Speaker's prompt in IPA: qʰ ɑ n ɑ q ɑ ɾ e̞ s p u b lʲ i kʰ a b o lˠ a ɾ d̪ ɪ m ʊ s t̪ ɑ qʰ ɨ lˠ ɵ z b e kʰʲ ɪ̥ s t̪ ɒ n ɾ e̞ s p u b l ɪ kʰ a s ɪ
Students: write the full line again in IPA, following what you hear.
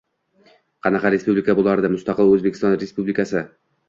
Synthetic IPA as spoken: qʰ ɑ n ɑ q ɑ ɾ e̞ s p u b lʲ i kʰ a b o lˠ a ɾ d̪ ɪ m ʊ s t̪ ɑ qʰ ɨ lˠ ɵ z b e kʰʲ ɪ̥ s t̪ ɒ n ɾ e̞ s p u b l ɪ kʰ a s ɪ